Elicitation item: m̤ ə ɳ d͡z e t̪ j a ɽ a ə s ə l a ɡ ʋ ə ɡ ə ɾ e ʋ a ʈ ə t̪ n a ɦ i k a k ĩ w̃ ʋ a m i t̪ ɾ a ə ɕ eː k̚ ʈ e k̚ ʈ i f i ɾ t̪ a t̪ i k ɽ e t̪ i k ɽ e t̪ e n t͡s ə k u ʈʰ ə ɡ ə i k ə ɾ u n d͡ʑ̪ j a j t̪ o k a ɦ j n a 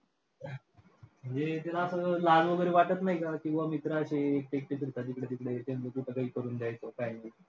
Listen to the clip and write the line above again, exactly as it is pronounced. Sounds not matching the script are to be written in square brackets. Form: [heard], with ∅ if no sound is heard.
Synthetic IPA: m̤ ə ɳ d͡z e t̪ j a [l] a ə s ə l a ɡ ʋ ə ɡ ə ɾ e ʋ a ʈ ə t̪ n a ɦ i k a k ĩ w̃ ʋ a m i t̪ ɾ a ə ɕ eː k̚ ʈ e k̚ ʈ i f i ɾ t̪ a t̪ i k ɽ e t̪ i k ɽ e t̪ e n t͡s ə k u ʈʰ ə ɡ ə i k ə ɾ [uː] n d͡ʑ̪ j a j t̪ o k a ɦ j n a